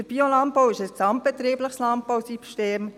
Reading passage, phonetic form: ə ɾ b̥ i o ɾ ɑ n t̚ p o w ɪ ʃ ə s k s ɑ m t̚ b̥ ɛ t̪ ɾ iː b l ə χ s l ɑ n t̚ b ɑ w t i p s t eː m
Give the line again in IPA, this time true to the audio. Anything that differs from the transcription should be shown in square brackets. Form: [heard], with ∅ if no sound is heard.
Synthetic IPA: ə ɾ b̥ i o [l] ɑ n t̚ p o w ɪ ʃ ə s k s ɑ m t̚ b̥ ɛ t̪ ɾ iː b l ə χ s l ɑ n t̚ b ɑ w [s] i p [ʃ] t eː m